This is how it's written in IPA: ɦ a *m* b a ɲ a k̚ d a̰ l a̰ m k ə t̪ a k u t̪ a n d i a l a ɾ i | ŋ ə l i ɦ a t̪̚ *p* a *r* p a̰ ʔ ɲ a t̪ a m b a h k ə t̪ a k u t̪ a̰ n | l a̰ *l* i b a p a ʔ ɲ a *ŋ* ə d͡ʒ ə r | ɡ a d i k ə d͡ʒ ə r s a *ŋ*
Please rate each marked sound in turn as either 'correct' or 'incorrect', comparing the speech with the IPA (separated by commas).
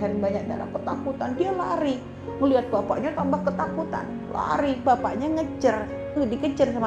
incorrect, incorrect, incorrect, incorrect, correct, incorrect